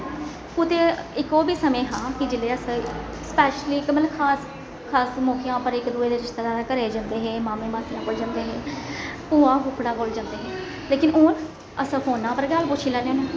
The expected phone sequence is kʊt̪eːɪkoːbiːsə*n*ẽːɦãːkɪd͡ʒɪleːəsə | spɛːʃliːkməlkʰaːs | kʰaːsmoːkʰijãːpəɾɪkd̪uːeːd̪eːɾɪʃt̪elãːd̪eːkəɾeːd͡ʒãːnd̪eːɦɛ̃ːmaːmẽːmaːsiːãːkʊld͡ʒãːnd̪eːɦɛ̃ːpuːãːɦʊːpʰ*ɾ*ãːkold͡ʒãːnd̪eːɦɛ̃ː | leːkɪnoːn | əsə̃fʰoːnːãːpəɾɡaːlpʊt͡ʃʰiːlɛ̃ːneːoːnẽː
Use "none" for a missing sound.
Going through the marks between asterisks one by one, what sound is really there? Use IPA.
m, ɽ

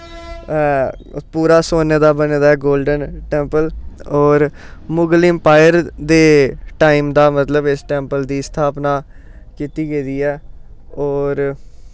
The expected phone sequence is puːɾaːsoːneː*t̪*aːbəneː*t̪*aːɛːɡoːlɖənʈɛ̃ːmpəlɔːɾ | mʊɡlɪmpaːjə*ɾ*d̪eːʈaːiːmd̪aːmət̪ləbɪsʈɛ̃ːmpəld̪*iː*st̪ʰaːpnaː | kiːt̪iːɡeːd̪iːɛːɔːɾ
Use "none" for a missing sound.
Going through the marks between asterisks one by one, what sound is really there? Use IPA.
d̪, d̪, ɾ, iː

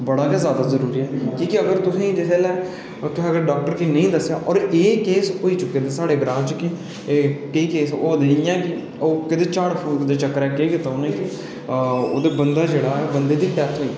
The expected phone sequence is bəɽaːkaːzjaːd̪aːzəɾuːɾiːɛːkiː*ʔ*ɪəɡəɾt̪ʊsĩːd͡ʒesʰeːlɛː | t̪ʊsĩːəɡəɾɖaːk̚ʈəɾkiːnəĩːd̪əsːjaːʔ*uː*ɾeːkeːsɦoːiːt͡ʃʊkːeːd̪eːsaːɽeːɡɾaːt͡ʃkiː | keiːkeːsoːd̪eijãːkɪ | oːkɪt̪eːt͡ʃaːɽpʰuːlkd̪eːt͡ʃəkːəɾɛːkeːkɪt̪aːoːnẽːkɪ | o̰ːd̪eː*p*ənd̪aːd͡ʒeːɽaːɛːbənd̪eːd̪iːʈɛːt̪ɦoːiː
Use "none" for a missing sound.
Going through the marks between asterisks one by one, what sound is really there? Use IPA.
k, ɔː, b

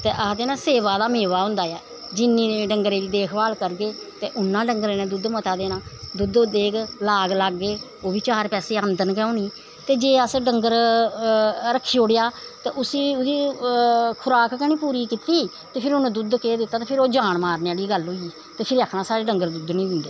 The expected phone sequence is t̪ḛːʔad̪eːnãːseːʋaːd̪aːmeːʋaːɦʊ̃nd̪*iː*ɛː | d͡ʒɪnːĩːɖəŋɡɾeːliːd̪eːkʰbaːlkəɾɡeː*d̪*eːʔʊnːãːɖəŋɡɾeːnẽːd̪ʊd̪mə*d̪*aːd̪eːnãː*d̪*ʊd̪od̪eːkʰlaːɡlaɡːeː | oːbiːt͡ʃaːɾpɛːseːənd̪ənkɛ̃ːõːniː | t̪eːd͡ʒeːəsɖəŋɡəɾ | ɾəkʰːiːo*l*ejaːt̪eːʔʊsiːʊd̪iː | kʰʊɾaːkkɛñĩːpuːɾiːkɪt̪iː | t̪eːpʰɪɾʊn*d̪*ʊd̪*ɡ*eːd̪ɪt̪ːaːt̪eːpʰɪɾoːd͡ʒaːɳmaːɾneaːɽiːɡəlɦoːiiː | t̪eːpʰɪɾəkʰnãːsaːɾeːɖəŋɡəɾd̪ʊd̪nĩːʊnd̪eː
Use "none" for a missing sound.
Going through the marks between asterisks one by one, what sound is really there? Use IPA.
aː, t̪, t̪, d̪, ɽ, d̪, k

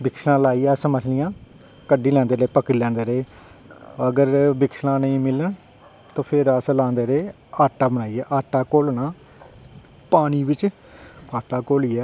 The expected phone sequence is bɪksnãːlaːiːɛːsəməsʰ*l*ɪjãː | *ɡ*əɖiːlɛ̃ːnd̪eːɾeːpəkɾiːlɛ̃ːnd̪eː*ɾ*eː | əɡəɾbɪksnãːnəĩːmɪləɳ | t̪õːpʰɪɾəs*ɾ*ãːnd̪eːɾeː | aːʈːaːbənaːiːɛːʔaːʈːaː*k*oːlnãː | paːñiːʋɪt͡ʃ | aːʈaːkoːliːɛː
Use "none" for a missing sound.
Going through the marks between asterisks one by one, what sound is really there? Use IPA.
l, k, ɾ, l, k

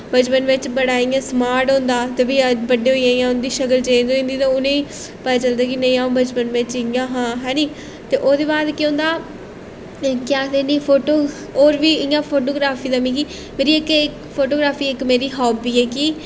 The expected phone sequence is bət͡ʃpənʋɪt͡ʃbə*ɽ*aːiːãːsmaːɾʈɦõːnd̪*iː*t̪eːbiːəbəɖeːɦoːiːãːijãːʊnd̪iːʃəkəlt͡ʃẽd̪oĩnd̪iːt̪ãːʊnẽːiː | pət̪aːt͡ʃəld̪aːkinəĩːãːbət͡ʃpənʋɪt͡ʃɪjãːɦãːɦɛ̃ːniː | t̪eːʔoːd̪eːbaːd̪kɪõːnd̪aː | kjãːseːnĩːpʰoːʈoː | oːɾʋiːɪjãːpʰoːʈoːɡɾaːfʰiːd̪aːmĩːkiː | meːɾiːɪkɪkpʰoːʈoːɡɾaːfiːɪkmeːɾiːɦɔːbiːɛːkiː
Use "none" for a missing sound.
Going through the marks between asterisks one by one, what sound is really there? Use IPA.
ɽ, aː

